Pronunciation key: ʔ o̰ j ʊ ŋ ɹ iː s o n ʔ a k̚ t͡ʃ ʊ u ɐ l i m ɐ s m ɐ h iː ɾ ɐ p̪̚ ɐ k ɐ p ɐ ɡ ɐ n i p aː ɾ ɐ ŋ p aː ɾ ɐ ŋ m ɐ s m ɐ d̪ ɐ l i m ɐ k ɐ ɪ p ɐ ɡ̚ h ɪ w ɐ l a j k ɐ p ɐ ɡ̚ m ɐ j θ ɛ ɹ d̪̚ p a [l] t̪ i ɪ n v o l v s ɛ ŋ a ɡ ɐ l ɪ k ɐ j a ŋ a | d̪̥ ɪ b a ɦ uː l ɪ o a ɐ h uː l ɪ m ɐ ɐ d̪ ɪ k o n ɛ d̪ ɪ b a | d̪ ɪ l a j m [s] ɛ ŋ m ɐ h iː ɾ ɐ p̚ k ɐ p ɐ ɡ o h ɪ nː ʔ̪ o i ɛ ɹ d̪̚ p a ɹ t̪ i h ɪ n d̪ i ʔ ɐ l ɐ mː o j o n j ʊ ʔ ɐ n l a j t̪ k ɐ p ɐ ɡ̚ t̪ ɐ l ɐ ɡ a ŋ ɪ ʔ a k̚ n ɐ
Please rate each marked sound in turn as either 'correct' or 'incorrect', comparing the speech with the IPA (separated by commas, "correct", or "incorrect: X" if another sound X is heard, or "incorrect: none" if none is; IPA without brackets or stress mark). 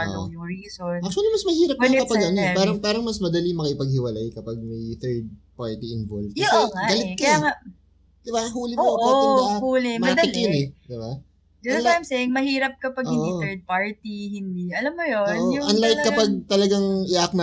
incorrect: ɹ, correct